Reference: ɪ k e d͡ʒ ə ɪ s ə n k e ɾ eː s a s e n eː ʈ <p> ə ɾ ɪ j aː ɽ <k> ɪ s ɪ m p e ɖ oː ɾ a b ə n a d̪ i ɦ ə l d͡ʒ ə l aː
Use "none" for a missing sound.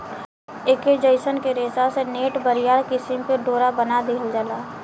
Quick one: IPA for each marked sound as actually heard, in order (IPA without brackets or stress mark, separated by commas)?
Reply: b, k